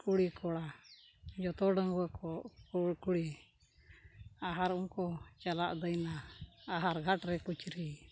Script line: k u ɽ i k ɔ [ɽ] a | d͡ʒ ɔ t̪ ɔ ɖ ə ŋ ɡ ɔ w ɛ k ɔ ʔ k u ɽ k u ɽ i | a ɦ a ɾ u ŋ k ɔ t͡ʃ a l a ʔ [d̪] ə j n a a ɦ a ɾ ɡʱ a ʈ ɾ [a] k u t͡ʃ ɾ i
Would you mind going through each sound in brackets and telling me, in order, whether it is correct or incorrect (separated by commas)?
correct, correct, incorrect